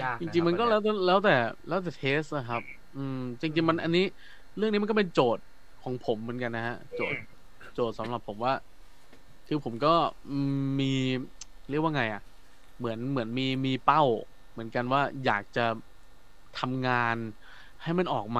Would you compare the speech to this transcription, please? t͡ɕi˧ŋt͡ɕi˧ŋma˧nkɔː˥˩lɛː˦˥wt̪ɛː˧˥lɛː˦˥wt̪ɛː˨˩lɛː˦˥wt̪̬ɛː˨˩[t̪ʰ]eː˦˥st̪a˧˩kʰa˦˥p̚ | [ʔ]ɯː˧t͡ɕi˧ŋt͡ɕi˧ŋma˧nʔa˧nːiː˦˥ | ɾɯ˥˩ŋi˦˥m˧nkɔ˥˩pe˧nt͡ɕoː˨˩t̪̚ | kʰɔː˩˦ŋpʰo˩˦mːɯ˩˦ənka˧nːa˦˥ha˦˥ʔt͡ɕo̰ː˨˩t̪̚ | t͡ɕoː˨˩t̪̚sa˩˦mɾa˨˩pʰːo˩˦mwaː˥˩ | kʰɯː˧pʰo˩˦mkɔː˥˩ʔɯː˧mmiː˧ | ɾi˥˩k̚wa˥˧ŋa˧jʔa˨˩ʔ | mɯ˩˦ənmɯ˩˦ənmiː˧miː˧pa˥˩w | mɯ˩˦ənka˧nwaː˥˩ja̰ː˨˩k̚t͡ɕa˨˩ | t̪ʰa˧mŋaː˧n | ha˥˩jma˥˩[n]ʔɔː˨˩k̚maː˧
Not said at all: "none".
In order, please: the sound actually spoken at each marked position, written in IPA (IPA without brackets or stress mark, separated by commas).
t̪ʰ, ʔ, n